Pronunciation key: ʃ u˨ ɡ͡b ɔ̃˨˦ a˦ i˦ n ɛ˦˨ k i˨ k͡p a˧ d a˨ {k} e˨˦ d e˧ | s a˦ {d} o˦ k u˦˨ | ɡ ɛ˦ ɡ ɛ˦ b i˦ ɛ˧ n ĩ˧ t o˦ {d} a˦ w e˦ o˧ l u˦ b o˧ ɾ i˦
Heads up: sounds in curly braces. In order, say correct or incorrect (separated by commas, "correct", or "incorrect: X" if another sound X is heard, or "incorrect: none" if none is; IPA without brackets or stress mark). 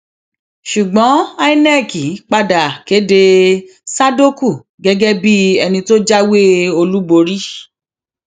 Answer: correct, correct, incorrect: d͡ʒ